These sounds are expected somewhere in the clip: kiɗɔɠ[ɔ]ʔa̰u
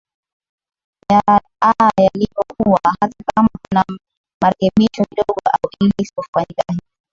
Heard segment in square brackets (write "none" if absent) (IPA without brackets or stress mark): ɔ